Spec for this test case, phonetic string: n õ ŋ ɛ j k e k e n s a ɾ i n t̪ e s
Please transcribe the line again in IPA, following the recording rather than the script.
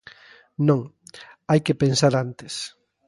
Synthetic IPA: n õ ŋ a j k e p e n s a ɾ a n t̪ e s